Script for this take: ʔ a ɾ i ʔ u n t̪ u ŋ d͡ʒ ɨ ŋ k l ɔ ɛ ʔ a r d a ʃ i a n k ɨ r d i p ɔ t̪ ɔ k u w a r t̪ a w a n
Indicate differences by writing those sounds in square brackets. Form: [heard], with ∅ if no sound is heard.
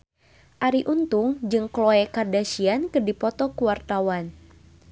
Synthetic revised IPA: ʔ a ɾ i ʔ u n t̪ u ŋ d͡ʒ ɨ ŋ k l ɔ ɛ [k] a r d a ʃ i a n k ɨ r d i p ɔ t̪ ɔ k u w a r t̪ a w a n